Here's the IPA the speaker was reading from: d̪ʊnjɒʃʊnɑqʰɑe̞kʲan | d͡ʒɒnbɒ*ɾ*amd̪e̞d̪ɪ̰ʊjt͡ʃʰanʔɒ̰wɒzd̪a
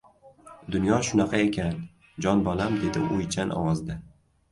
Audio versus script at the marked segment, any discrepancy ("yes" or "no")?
yes